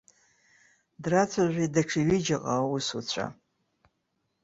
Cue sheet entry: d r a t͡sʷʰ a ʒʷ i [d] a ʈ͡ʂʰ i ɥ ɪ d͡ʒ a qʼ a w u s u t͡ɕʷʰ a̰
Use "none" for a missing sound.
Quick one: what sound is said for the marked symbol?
d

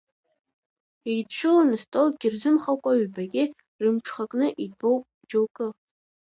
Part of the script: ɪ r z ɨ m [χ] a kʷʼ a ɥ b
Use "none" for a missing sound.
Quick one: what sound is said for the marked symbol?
χ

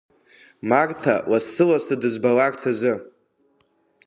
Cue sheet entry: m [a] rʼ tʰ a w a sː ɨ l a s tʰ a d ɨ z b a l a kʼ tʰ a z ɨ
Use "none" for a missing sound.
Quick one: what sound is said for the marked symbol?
a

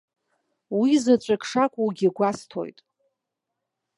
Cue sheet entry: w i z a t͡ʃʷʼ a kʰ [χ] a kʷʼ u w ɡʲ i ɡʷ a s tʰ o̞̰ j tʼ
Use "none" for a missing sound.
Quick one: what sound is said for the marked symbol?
ʂ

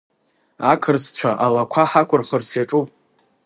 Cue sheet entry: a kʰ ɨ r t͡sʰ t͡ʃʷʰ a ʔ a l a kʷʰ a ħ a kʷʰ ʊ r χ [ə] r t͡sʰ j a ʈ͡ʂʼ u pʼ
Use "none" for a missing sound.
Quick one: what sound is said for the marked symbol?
ə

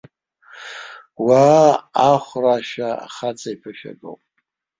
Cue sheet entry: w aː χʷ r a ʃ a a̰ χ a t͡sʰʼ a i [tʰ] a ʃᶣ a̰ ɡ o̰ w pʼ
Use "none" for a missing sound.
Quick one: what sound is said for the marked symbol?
pʰ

